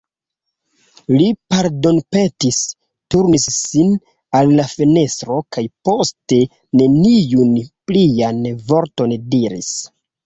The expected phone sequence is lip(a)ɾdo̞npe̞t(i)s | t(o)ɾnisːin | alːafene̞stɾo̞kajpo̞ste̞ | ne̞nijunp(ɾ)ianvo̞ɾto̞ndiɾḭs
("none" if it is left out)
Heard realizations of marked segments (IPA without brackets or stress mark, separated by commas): a, i, u, l